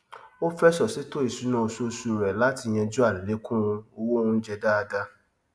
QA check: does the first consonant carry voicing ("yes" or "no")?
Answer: no